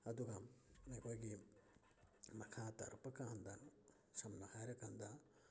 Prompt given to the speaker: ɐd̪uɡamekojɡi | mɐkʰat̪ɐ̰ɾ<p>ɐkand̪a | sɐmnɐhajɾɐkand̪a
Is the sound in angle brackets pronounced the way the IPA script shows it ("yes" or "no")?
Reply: yes